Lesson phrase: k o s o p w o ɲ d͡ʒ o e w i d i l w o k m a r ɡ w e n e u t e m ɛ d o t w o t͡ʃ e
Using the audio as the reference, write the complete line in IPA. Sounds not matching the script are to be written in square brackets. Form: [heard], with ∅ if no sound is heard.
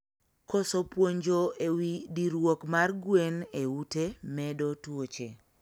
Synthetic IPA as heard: k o s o p w o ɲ d͡ʒ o e w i d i [ɾ] w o k m a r ɡ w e n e u t e m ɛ d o t w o t͡ʃ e